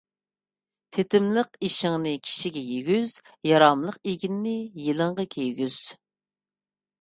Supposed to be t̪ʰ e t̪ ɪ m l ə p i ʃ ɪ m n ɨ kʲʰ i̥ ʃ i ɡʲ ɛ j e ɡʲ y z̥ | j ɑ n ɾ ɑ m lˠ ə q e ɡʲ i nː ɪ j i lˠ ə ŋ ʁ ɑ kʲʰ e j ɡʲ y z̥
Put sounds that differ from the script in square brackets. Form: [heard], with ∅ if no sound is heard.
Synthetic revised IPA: t̪ʰ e t̪ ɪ m l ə [q] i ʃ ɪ [ŋ] n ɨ kʲʰ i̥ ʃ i ɡʲ ɛ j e ɡʲ y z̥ | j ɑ [∅] ɾ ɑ m lˠ ə q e ɡʲ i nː ɪ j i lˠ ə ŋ ʁ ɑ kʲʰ e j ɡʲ y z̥